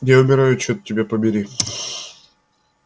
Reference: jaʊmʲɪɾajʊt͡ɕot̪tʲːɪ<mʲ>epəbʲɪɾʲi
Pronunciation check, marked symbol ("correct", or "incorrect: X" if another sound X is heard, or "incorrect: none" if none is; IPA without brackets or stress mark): incorrect: bʲ